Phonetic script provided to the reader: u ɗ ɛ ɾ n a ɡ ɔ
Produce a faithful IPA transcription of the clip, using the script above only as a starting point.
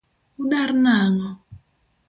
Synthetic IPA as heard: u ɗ a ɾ n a ŋ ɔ